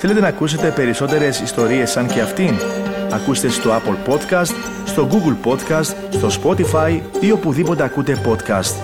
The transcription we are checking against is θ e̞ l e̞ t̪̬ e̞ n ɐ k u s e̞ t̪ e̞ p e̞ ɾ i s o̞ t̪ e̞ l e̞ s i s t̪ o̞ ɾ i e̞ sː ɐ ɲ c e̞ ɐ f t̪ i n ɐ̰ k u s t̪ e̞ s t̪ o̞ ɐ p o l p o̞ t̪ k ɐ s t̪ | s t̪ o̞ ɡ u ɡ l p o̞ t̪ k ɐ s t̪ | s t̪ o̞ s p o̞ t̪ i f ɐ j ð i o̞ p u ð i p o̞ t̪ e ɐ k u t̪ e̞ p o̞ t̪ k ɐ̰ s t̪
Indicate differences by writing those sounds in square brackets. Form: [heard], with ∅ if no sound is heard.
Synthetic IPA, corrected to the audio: θ e̞ l e̞ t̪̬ e̞ n ɐ k u s e̞ t̪ e̞ p e̞ ɾ i s o̞ t̪ e̞ [ɾ] e̞ s i s t̪ o̞ ɾ i e̞ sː ɐ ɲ c e̞ ɐ f t̪ i n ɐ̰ k u s t̪ e̞ s t̪ o̞ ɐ p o l p o̞ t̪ k ɐ s t̪ | s t̪ o̞ ɡ u ɡ l p o̞ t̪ k ɐ s t̪ | s t̪ o̞ s p o̞ t̪ i f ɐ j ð i o̞ p u ð i p o̞ t̪ e ɐ k u t̪ e̞ p o̞ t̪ k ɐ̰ s t̪